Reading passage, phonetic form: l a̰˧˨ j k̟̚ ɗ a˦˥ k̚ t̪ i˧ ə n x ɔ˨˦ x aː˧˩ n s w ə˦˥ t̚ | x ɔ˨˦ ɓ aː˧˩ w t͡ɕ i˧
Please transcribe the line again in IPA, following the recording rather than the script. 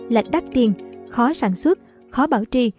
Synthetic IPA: l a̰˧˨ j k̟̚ ɗ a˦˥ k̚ t̪ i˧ ə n x ɔ˨˦ s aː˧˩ n s w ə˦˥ t̚ | x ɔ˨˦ ɓ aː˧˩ w t͡ɕ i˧